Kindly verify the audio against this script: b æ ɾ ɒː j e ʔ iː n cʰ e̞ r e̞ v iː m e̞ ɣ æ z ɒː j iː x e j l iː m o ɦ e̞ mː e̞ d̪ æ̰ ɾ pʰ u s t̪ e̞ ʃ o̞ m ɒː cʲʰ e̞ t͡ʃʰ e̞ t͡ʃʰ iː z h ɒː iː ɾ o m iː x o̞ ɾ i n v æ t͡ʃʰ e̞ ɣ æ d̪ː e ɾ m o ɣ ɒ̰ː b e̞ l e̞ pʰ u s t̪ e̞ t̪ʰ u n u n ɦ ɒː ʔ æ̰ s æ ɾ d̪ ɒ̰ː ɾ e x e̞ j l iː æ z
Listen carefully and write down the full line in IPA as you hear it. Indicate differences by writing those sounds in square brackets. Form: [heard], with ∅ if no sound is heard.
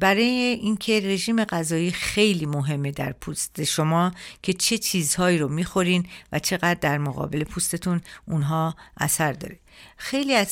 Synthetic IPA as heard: b æ ɾ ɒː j e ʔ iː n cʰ e̞ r e̞ [ʒ] iː m e̞ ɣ æ z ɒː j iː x e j l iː m o ɦ e̞ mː e̞ d̪ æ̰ ɾ pʰ u s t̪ e̞ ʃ o̞ m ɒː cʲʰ e̞ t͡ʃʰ e̞ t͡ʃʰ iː z h ɒː iː ɾ o m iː x o̞ ɾ i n v æ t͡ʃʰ e̞ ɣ æ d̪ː [æ] ɾ m o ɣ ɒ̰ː b e̞ l e̞ pʰ u s t̪ e̞ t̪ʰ u n u n ɦ ɒː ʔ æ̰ s æ ɾ d̪ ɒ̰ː ɾ e x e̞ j l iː æ z